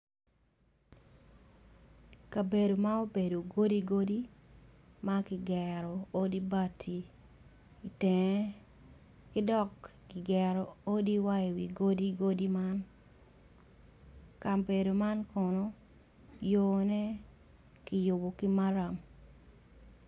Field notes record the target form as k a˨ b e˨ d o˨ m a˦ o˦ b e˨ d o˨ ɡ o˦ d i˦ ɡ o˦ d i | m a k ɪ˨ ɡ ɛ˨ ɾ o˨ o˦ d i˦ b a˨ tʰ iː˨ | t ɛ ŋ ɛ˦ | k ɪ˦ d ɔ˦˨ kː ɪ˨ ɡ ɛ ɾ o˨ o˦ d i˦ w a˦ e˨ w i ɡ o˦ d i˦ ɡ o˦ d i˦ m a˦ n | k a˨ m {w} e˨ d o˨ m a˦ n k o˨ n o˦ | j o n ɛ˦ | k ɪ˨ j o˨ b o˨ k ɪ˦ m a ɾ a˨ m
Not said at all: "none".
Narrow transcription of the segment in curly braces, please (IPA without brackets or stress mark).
b